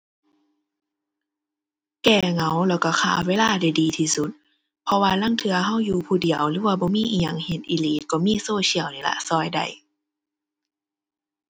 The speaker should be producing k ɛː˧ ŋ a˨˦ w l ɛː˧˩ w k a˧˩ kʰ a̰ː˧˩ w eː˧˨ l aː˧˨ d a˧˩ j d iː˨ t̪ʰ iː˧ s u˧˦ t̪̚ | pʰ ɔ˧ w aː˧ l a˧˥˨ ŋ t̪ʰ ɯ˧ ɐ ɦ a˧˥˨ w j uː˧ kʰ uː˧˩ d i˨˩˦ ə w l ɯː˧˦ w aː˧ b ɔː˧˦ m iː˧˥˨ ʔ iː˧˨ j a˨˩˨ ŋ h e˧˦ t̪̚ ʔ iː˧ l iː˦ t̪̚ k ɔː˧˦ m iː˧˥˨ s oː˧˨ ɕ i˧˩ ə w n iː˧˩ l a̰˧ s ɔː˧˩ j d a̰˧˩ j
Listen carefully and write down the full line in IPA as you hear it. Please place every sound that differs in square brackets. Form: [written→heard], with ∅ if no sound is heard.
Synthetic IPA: k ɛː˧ ŋ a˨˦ w l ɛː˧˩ w k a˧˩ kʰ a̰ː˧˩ w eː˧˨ l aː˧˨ d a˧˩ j d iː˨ t̪ʰ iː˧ s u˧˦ t̪̚ | pʰ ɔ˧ w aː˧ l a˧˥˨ ŋ t̪ʰ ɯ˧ ɐ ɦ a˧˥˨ w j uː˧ [kʰ→pʰ] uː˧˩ d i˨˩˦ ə w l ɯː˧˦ w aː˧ b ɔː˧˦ m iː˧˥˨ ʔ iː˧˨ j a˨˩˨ ŋ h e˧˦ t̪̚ ʔ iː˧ l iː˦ t̪̚ k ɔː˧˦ m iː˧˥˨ s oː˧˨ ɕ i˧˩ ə w n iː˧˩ l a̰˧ s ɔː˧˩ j d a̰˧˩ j

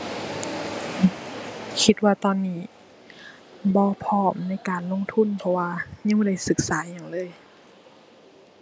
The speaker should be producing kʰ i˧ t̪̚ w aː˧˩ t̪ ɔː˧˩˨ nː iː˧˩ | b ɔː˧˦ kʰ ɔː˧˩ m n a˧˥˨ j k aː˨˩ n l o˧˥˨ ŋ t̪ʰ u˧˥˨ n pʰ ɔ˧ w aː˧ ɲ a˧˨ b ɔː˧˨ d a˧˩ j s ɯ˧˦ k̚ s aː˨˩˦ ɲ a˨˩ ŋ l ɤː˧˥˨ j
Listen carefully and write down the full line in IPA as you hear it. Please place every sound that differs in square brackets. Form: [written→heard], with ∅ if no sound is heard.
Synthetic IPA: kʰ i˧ t̪̚ w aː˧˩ t̪ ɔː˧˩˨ nː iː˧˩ | b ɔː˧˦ [kʰ→pʰ] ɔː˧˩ m n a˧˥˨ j k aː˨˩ n l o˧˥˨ ŋ t̪ʰ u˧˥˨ n pʰ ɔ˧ w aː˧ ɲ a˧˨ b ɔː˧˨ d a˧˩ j s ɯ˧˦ k̚ s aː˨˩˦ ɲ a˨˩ ŋ l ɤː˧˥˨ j

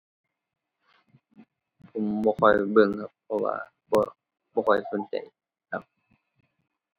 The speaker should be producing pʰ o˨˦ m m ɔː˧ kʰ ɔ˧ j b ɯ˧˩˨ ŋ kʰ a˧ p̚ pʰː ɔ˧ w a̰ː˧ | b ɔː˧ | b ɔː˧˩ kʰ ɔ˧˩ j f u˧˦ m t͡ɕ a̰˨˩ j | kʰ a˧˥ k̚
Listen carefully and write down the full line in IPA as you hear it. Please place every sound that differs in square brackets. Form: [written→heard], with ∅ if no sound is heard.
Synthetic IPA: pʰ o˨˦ m [m→b] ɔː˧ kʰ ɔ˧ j b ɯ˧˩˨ ŋ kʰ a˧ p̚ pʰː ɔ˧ w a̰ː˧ | b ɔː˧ | b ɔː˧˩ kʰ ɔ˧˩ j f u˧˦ [m→n] t͡ɕ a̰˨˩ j | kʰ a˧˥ [k̚→p̚]

